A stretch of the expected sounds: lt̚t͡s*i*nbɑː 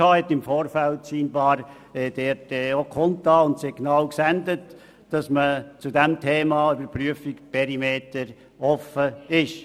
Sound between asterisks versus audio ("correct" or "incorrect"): incorrect